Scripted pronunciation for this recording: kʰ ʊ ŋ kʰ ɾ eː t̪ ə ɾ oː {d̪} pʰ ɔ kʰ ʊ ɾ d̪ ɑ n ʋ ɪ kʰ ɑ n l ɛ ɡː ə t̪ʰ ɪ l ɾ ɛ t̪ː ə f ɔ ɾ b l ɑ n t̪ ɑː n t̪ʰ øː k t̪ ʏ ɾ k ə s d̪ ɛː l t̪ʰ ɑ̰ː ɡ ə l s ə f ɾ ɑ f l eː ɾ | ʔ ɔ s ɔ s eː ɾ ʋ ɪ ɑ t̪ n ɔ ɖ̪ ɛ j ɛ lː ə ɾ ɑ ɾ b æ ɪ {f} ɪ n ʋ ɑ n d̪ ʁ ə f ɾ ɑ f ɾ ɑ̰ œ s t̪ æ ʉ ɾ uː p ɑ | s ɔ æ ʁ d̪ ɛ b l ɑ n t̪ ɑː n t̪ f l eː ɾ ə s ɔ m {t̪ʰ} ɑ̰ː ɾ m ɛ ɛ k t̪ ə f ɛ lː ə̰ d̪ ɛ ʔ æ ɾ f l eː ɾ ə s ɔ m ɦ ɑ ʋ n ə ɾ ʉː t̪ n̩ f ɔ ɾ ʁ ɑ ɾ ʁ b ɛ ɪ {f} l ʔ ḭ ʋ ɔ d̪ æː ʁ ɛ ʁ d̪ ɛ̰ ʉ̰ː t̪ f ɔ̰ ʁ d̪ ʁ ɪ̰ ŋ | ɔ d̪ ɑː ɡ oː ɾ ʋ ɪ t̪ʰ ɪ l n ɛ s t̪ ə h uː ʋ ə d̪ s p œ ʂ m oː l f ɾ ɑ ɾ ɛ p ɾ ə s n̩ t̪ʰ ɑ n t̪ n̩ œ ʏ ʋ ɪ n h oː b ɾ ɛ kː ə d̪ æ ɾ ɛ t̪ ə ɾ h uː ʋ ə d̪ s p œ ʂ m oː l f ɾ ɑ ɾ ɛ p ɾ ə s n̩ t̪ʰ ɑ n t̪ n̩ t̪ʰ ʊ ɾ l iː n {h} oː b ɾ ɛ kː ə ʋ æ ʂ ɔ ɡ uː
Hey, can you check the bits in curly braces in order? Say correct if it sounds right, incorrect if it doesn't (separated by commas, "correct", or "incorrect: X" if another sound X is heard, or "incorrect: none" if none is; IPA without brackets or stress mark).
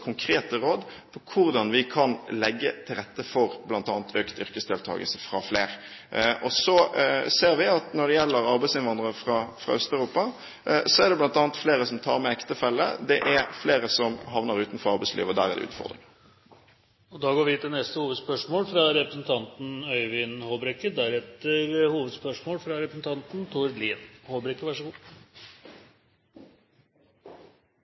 correct, incorrect: s, correct, incorrect: s, correct